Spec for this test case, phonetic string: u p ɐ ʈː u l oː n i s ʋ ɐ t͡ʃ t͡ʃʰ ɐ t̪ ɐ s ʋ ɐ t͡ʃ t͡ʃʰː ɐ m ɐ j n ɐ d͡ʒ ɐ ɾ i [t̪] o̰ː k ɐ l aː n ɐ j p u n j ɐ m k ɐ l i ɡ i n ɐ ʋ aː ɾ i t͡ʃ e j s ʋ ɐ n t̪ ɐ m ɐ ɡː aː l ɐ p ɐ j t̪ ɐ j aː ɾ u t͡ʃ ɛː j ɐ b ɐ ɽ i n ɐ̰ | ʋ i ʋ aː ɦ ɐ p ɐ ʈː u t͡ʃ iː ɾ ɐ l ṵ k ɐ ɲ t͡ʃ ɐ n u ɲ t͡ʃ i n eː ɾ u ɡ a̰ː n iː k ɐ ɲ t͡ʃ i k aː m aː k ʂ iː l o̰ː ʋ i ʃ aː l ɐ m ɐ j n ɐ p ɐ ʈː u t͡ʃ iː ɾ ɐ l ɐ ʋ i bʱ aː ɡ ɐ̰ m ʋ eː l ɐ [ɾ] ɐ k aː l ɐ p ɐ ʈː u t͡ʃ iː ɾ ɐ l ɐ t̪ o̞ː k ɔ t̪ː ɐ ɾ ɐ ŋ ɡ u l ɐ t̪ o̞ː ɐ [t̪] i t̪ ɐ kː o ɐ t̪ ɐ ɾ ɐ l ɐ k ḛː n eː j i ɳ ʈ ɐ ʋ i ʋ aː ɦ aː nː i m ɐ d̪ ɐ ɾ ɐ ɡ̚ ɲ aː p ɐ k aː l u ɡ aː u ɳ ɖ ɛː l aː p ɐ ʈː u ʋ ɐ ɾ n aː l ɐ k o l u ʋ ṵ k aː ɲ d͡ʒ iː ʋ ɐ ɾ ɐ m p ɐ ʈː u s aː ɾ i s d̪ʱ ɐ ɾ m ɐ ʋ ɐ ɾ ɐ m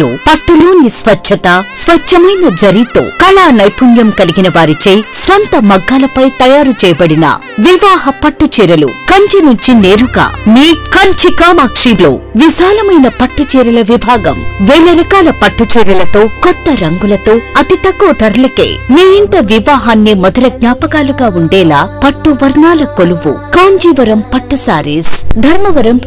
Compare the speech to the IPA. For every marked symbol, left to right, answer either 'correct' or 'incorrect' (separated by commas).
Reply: correct, correct, correct